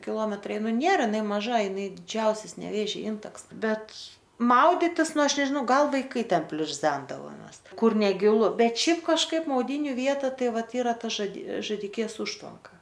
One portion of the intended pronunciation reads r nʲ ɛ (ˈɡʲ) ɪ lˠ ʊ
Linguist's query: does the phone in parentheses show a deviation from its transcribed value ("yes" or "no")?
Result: no